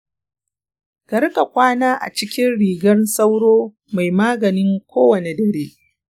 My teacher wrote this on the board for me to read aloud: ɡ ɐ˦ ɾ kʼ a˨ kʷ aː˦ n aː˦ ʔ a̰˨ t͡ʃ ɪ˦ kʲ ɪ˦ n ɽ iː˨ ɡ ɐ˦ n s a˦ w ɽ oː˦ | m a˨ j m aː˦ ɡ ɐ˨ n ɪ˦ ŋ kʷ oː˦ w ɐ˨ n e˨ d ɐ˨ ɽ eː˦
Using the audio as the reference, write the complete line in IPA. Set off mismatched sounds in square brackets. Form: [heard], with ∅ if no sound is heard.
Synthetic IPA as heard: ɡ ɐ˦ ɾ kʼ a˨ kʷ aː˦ n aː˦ ʔ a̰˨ t͡ʃ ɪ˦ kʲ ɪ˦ n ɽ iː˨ ɡ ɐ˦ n s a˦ w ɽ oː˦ | m a˨ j m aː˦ ɡ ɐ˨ n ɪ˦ ŋ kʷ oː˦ w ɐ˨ n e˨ d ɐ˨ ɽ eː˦